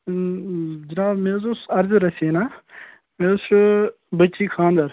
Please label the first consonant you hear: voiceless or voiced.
voiced